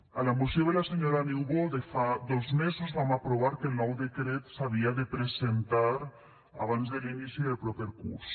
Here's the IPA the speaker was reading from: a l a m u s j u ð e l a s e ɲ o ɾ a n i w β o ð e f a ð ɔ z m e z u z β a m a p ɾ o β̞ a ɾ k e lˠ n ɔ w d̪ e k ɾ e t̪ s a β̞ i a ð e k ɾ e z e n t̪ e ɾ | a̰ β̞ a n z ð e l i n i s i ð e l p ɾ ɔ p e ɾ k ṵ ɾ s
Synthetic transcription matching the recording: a l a m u s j o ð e l a s e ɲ o ɾ a n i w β o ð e f a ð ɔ z m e z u z β a m a p ɾ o β̞ a ɾ k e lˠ n ɔ w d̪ e k ɾ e t̪ s a β̞ i a ð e p ɾ e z e n t̪ a ɾ | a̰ β̞ a n z ð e l i n i s i ð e l p ɾ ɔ p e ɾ k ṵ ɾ s